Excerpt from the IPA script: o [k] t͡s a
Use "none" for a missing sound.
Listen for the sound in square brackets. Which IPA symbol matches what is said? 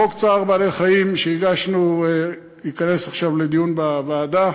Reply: k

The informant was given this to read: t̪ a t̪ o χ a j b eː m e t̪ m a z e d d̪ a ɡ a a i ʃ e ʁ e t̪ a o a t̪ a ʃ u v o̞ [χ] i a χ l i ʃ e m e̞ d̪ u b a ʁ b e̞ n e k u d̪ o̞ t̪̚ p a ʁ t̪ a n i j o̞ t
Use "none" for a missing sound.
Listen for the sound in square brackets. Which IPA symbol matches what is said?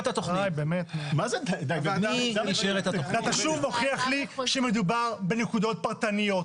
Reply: χ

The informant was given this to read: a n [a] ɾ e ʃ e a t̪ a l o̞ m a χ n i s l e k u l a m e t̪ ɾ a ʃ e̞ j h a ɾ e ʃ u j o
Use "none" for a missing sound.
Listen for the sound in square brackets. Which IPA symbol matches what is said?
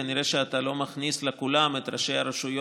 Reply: i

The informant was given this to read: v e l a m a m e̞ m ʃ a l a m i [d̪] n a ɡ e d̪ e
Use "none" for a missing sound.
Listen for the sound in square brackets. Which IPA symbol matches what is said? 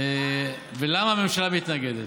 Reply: t̪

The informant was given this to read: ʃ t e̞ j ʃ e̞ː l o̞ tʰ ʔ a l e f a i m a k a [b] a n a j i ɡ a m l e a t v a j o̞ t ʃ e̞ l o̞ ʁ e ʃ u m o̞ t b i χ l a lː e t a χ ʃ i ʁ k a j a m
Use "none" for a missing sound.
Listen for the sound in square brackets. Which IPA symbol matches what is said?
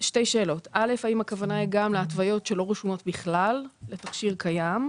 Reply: v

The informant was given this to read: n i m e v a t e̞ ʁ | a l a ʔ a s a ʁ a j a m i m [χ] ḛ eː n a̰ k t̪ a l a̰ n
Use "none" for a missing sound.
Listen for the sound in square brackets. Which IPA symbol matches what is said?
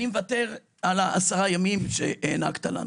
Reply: ʃ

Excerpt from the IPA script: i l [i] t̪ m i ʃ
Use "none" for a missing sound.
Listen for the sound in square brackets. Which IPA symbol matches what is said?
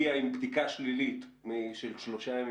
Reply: i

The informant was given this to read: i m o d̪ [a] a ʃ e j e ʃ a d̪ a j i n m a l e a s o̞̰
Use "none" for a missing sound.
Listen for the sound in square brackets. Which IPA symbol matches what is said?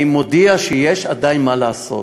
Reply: i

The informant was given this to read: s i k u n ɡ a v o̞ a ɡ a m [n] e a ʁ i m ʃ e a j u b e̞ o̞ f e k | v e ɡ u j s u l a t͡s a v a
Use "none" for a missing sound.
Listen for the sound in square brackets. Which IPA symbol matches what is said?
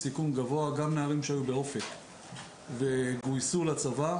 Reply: n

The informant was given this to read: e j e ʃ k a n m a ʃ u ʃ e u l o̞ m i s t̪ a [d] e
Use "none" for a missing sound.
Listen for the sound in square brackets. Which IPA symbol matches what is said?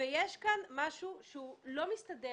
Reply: d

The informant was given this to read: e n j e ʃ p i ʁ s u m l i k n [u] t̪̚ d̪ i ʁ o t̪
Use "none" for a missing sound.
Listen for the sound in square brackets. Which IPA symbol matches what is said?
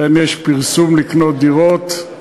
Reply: o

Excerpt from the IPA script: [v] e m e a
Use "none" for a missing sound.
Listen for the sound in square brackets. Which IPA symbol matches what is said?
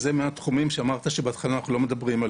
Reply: z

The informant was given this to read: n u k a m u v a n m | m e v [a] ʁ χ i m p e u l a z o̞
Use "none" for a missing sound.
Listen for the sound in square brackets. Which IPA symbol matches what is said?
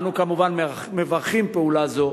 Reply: a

